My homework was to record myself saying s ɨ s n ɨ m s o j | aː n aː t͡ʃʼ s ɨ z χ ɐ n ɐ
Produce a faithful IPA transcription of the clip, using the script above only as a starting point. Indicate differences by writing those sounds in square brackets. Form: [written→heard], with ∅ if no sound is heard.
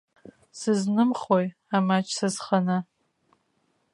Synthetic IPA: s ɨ [s→z] n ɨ m [s→χ] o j | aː [n→m] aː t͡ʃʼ s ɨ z χ ɐ n ɐ